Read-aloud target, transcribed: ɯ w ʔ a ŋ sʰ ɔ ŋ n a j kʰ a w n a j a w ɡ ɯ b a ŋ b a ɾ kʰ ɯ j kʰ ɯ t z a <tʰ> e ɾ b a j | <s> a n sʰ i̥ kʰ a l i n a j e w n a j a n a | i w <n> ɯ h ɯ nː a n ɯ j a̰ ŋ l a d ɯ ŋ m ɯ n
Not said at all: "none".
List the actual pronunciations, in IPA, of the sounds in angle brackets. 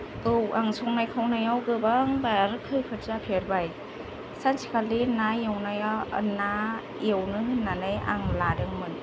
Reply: pʰ, s, n

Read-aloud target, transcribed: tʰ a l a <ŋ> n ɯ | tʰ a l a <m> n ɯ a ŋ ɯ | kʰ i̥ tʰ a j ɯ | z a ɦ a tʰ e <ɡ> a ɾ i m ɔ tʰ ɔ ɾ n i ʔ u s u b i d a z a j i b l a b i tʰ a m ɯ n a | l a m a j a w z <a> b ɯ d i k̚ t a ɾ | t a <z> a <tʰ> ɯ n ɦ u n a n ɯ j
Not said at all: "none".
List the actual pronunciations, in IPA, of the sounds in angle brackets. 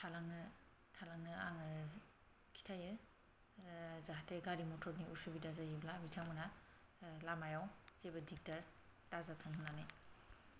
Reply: ŋ, ŋ, ɡ, e, z, tʰ

